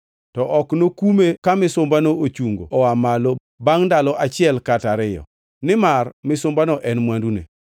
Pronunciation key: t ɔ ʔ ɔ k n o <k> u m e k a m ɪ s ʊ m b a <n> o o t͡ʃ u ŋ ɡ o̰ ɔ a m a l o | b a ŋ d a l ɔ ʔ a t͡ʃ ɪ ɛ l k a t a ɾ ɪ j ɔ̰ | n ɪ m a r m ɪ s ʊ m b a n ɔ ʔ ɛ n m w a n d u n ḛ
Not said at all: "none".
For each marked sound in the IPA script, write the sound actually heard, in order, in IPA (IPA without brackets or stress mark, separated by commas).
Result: k, n